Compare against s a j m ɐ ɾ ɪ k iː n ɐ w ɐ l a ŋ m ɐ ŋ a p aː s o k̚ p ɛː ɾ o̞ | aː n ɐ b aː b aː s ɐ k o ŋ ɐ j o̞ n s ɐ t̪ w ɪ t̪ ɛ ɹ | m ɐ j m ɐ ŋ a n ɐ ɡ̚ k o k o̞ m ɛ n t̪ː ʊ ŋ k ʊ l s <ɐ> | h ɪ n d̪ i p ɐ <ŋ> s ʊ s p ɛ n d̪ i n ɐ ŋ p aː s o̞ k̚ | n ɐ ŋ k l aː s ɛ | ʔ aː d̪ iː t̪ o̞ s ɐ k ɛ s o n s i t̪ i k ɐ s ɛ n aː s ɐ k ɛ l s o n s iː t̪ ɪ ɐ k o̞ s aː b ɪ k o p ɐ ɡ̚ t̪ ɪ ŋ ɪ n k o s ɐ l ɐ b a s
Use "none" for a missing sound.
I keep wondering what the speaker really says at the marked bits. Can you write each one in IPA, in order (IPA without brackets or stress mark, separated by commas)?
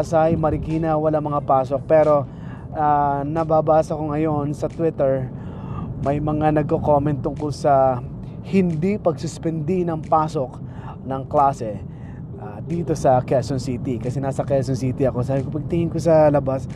ɐ, ɡ